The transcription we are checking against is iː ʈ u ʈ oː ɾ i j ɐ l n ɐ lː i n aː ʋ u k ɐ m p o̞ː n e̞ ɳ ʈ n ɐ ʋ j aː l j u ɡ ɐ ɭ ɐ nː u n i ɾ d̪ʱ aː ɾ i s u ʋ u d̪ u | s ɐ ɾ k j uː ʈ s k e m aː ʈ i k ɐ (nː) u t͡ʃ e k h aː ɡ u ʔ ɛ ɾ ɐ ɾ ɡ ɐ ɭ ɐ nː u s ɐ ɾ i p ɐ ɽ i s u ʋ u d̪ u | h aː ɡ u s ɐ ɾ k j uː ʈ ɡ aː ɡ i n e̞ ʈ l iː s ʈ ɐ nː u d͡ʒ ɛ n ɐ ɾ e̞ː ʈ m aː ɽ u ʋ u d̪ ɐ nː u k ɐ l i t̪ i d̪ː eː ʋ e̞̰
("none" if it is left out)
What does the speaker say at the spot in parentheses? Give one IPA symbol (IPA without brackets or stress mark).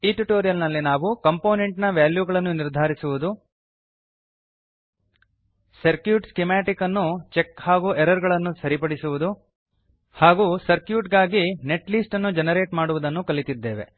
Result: nː